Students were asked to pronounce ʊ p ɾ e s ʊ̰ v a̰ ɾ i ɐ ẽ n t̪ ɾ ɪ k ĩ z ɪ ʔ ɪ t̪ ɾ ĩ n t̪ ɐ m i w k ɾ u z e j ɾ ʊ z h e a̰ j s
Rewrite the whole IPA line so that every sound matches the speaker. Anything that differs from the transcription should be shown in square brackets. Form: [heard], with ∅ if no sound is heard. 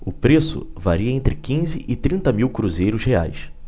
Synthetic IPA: ʊ p ɾ e s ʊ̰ v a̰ ɾ i ɐ ẽ n t̪ ɾ ɪ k ĩ z ɪ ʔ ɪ t̪ ɾ ĩ n t̪ ɐ m i w k ɾ u z e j ɾ ʊ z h e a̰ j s

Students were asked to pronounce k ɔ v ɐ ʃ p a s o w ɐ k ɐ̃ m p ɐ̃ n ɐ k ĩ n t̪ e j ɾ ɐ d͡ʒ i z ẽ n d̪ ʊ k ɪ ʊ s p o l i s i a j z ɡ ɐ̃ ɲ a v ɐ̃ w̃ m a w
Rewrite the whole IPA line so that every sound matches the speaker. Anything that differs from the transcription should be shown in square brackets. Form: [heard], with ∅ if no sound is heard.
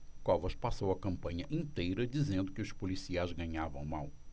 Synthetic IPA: k ɔ v ɐ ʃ p a s o w ɐ k ɐ̃ m p ɐ̃ [ɲ] ɐ [ʔ] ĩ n t̪ e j ɾ ɐ d͡ʒ i z ẽ n d̪ ʊ k ɪ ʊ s p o l i s i a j z ɡ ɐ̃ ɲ a v ɐ̃ w̃ m a w

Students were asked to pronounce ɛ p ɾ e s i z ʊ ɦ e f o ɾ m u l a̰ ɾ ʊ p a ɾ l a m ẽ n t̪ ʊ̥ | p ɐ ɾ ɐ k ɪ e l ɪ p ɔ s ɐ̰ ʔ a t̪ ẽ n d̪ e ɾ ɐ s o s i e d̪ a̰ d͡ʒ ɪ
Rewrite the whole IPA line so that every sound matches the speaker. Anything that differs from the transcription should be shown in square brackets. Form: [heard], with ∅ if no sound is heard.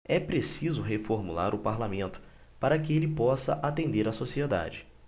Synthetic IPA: ɛ p ɾ e s i z ʊ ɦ e f o ɾ m u l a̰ ɾ ʊ p a ɾ l a m ẽ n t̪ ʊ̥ | p [a] ɾ ɐ k ɪ e l ɪ p ɔ s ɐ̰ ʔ a t̪ ẽ n d̪ e ɾ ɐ s o s i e d̪ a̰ d͡ʒ ɪ

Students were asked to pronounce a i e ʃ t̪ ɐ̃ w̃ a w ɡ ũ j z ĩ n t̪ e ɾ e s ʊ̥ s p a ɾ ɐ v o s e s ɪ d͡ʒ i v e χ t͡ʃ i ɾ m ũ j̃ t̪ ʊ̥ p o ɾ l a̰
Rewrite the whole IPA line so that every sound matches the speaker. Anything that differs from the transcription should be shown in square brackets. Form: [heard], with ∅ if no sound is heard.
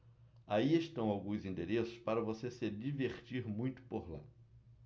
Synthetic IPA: a i e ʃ t̪ ɐ̃ w̃ a w ɡ ũ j z ĩ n [d̪] e ɾ e s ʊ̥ s p a ɾ ɐ v o s e s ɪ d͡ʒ i v e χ t͡ʃ i ɾ m ũ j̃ t̪ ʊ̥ p o ɾ l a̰

